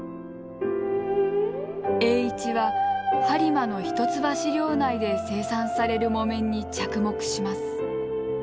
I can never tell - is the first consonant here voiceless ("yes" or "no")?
yes